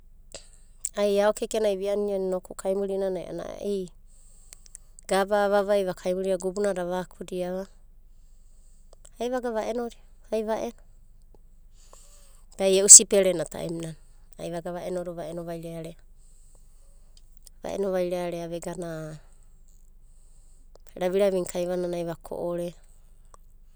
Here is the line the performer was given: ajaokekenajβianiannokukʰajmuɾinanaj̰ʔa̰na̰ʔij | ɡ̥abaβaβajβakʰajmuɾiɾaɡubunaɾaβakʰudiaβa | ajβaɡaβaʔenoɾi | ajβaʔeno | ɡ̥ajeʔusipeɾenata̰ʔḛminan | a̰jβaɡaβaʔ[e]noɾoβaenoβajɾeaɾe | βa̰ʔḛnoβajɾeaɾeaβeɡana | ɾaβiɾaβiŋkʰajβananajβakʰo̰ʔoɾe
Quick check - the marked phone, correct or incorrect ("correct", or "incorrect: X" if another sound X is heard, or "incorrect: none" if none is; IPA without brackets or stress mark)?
correct